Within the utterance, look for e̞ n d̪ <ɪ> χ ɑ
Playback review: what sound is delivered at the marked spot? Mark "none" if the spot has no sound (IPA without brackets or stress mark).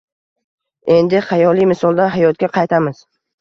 ɪ